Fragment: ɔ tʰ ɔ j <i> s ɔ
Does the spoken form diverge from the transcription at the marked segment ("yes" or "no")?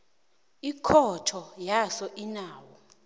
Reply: yes